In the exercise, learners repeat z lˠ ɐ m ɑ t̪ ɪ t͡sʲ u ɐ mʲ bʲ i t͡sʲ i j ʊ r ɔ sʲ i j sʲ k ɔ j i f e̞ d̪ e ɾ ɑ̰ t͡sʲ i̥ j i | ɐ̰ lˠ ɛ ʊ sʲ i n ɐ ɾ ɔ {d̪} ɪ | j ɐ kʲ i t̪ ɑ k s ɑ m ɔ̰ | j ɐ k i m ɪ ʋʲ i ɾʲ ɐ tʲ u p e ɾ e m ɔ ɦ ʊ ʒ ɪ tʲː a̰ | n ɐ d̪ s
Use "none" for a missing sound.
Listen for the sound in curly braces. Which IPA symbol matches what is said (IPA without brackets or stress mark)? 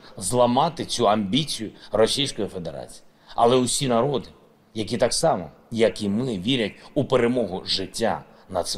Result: d̪